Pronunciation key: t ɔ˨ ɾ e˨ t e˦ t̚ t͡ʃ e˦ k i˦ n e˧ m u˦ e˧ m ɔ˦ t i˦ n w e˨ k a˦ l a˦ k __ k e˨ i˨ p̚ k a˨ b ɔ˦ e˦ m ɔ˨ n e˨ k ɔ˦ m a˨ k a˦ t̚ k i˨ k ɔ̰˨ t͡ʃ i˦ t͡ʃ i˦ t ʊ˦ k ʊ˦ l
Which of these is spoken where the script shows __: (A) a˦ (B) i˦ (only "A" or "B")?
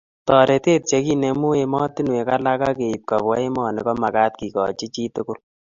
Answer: A